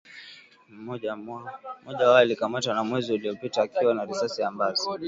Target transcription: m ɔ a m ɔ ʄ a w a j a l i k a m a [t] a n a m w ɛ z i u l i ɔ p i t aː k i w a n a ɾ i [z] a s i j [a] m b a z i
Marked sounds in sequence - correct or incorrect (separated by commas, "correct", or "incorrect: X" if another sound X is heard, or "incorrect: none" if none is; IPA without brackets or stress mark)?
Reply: correct, incorrect: s, correct